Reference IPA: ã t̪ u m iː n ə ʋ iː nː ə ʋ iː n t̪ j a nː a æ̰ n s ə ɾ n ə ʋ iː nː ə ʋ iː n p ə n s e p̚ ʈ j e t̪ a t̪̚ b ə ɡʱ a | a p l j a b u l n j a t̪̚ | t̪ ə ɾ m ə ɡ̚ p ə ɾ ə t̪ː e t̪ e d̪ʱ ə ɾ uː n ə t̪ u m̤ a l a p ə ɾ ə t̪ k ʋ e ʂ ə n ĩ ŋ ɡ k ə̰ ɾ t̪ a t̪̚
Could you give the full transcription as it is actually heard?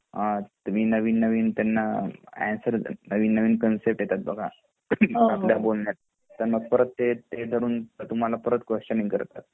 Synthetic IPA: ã t̪ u m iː n ə ʋ iː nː ə ʋ iː n t̪ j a nː a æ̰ n s ə ɾ n ə ʋ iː nː ə ʋ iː n k ə n s e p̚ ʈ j e t̪ a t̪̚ b ə ɡʱ a | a p l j a b o l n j a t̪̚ | t̪ ə ɾ m ə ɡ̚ p ə ɾ ə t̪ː e t̪ e d̪ʱ ə ɾ uː n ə t̪ u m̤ a l a p ə ɾ ə t̪ k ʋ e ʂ ə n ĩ ŋ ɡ k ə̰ ɾ t̪ a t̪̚

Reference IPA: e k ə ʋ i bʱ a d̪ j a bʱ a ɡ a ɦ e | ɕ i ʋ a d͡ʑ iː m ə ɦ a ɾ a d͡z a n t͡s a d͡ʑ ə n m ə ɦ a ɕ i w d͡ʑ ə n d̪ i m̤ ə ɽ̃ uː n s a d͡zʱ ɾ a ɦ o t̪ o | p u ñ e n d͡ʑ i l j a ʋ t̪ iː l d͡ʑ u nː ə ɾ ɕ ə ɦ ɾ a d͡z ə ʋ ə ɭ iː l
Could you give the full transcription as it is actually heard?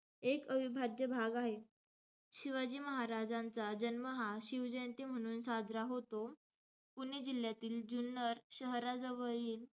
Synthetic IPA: e k ə ʋ i bʱ a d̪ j ə bʱ a ɡ a ɦ e | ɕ i ʋ a d͡ʑ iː m ə ɦ a ɾ a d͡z a n t͡s a d͡ʑ ə n m ə ɦ a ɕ i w d͡ʑ ə n t̪ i m̤ ə ɽ̃ uː n s a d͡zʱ ɾ a ɦ o t̪ o | p u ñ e d͡ʑ i l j a t̪ iː l d͡ʑ u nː ə ɾ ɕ ə ɦ ɾ a d͡z ə ʋ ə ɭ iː l

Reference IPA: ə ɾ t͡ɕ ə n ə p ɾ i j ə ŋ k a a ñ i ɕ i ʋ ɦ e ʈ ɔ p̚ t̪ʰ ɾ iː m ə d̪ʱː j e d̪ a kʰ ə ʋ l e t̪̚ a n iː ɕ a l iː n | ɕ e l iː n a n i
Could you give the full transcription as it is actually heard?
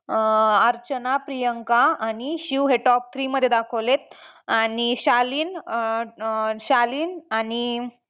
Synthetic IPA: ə ɾ t͡ɕ ə n a p ɾ i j ə ŋ k a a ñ i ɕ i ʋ ɦ e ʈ ɔ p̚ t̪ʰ ɾ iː m ə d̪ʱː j e d̪ a kʰ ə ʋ l e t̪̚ a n i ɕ a l iː n | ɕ a l iː n a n i

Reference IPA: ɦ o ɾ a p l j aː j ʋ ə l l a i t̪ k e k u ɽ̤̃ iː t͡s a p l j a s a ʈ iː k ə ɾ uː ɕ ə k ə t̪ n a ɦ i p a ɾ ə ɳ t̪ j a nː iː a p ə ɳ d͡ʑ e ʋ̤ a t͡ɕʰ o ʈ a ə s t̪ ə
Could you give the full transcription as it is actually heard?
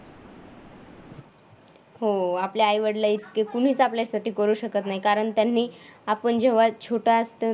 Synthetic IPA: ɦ o a p l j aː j ʋ ə ɽ l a i t̪ k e k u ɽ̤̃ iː t͡s a p l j a s a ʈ iː k ə ɾ uː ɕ ə k ə t̪ n a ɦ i k a ɾ ə ɳ t̪ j a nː iː a p ə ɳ d͡ʑ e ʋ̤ a t͡ɕʰ o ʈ a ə s t̪ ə

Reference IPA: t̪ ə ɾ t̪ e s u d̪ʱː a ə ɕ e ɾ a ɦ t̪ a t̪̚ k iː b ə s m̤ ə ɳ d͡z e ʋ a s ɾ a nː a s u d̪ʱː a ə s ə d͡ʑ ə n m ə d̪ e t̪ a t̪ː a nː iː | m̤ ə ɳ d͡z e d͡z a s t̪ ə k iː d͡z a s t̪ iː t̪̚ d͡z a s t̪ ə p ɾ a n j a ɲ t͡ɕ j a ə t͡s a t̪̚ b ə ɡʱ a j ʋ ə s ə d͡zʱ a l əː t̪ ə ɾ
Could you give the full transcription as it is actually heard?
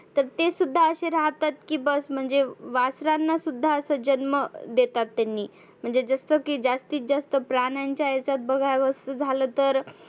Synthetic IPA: t̪ ə ɾ t̪ e s u d̪ʱː a ə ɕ e ɾ a ɦ t̪ a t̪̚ k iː b ə s m̤ ə ɳ d͡z e ʋ a s ɾ a nː a s u d̪ʱː a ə s ə d͡ʑ ə n m ə d̪ e t̪ a t̪ː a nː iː | m̤ ə ɳ d͡z e d͡z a s t̪ ə k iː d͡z a s t̪ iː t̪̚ d͡z a s t̪ ə p ɾ a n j a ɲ t͡ɕ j a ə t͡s a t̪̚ b ə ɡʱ a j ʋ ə s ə d͡zʱ a l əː t̪ ə ɾ

